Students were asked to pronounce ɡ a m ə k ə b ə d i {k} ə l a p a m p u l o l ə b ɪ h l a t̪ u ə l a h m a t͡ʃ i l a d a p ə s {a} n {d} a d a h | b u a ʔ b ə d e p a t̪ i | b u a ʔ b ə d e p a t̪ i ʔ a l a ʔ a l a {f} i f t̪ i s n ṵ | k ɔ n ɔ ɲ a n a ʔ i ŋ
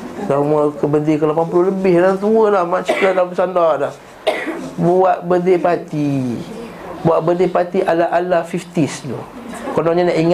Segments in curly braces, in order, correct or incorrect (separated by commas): correct, correct, correct, correct